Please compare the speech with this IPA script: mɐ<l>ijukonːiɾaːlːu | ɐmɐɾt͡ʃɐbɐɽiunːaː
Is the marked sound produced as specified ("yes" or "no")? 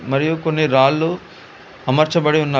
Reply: no